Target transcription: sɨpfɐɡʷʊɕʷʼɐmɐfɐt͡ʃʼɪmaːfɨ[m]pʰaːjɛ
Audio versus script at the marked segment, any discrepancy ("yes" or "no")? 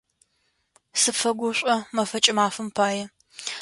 no